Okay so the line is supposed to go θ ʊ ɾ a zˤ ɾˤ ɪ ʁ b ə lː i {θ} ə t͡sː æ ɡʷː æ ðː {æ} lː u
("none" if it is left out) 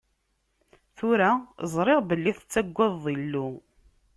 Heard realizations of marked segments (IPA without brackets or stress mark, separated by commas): θ, i